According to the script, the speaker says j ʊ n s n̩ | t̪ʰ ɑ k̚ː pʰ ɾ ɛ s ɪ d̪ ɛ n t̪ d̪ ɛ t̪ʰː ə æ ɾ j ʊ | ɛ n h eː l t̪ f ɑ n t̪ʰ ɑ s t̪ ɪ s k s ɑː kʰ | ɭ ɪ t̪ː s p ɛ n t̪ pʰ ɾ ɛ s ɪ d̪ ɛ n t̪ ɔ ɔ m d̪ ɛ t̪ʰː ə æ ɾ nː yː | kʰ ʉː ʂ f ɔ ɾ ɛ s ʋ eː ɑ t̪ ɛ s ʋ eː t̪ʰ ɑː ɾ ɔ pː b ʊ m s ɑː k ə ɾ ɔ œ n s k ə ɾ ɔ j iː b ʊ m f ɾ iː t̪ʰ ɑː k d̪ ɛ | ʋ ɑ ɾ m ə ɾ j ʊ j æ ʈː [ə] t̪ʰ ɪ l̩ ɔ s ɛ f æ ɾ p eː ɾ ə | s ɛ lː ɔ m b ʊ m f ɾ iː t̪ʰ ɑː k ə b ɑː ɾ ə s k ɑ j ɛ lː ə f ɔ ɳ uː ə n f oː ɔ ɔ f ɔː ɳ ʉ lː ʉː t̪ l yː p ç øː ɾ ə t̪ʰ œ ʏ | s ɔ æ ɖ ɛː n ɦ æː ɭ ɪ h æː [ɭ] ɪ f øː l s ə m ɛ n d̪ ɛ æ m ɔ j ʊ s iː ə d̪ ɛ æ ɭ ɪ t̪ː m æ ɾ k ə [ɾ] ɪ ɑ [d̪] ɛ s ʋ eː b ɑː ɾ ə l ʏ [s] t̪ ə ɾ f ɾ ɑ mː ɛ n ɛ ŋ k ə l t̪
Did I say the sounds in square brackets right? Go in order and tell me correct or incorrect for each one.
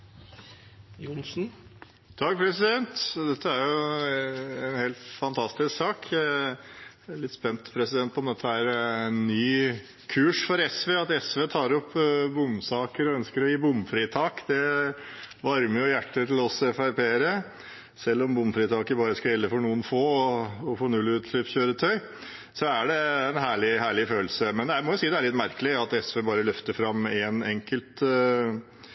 correct, correct, incorrect: l, incorrect: t̪, incorrect: f

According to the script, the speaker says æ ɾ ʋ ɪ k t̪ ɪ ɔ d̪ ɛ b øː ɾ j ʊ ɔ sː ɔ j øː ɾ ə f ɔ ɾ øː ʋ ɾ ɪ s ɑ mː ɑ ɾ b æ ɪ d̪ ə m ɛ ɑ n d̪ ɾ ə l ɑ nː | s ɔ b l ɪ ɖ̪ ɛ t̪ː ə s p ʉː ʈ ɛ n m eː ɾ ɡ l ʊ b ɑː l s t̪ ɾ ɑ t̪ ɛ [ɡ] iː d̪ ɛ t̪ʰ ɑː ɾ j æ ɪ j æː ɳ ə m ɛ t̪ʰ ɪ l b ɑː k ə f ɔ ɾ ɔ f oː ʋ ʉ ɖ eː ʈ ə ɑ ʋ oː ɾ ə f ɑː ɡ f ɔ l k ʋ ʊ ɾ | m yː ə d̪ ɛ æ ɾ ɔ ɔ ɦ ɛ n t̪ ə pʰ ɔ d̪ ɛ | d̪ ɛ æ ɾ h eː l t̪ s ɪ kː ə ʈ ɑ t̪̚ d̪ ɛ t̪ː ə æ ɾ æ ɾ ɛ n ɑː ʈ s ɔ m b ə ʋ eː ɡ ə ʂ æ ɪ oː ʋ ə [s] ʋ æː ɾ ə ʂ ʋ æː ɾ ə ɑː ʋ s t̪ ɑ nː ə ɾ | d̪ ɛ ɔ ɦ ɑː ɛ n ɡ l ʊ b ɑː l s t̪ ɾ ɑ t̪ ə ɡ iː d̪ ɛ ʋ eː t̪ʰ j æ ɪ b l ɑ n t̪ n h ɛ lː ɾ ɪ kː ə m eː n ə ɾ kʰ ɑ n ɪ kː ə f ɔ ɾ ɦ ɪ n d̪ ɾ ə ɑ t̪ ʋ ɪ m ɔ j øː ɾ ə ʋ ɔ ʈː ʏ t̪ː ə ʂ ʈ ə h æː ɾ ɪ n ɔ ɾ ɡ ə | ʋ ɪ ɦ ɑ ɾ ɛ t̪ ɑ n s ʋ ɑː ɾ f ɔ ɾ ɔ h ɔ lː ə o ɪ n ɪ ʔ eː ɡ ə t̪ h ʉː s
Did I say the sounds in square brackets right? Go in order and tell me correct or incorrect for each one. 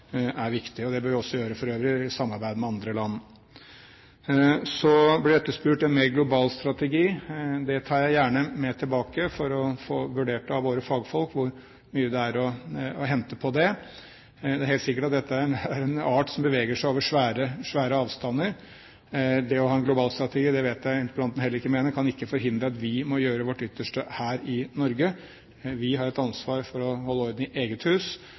correct, incorrect: ʂ

